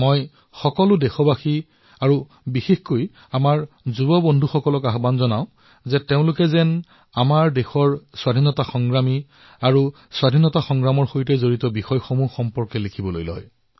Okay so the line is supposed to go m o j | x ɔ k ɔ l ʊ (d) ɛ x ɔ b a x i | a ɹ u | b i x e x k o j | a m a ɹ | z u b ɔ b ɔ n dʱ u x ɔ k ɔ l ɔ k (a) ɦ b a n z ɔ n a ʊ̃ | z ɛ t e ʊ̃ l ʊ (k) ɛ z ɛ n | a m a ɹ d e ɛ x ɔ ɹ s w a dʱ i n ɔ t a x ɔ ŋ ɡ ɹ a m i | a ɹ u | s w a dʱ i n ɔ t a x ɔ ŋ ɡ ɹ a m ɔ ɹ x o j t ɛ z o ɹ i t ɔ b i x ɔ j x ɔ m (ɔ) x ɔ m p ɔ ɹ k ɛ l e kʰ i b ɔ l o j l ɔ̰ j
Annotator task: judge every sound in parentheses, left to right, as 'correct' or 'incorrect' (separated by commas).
correct, correct, correct, incorrect